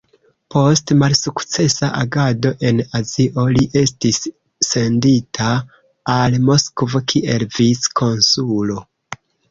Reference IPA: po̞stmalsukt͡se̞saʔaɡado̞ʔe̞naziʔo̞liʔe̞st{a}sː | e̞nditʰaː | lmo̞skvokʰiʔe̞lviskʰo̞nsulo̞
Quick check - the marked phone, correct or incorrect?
incorrect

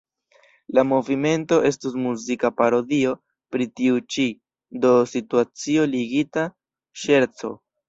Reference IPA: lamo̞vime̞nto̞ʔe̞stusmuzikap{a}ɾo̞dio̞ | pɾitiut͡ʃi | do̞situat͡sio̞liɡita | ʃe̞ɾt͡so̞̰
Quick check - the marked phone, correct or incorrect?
correct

